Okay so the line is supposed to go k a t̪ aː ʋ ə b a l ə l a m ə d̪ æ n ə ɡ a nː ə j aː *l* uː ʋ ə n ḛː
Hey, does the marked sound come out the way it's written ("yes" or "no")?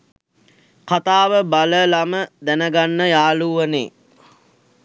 yes